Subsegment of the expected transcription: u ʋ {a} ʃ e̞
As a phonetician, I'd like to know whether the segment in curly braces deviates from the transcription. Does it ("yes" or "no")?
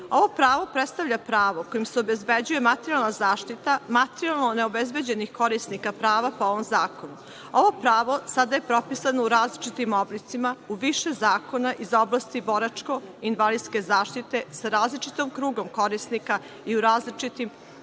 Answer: yes